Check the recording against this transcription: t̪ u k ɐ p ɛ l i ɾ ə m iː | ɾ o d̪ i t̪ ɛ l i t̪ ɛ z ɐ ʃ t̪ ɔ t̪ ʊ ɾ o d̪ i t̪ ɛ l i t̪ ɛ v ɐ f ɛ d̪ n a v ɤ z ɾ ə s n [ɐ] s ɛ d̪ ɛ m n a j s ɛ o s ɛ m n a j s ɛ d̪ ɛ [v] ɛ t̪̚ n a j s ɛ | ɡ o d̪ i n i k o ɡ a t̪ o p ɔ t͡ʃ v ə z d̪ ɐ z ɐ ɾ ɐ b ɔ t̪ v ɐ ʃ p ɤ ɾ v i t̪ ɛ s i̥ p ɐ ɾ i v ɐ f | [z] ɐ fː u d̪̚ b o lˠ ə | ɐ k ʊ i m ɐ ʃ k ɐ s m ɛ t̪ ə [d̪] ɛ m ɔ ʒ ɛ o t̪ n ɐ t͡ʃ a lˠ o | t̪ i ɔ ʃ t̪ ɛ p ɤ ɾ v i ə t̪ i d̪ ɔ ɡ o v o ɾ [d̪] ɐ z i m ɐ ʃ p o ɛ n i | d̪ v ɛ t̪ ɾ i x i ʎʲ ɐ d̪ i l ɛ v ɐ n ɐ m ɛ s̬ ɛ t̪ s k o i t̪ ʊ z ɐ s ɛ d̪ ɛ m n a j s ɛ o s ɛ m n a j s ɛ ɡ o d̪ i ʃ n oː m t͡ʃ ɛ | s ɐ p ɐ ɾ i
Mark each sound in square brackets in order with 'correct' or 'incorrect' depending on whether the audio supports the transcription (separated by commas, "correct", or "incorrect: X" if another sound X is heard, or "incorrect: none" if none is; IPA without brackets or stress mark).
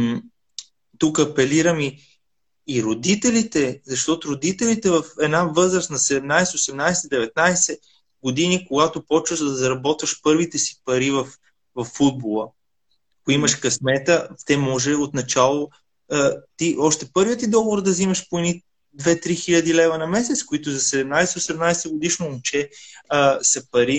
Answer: correct, correct, incorrect: v, incorrect: t̪, correct